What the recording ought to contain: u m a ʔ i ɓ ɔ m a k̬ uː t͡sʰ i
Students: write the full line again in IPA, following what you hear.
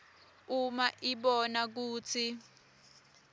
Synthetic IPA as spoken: u m a ʔ i ɓ ɔ n a k̬ uː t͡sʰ i